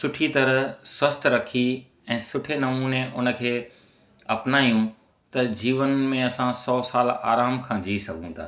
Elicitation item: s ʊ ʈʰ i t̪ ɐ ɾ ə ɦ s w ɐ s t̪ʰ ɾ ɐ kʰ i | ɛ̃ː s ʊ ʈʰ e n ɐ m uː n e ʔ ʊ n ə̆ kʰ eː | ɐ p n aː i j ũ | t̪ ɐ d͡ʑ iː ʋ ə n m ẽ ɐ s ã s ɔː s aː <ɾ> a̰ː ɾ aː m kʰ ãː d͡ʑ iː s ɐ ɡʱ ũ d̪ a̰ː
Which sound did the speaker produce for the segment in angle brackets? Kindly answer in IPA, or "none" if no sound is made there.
l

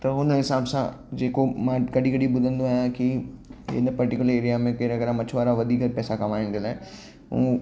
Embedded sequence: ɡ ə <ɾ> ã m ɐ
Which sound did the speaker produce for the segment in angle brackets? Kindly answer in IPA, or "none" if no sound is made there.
ɾ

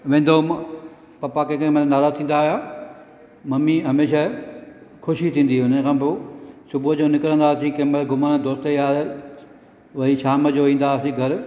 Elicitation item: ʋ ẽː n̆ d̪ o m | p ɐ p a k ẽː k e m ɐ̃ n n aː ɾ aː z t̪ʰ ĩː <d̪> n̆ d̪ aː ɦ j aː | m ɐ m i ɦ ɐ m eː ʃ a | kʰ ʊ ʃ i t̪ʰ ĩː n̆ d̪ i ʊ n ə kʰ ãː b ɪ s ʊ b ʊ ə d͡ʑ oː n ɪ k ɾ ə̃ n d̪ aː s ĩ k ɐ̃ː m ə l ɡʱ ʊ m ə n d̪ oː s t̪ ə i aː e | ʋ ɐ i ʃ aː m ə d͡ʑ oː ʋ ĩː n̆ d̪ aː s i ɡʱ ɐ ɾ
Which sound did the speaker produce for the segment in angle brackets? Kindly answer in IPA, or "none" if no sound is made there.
none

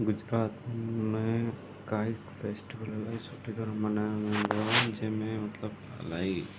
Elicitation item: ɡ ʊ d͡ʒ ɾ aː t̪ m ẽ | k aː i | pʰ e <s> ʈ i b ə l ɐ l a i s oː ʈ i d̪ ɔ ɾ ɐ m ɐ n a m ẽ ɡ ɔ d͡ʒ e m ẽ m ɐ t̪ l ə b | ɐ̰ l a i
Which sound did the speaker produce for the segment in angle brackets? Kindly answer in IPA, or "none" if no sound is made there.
s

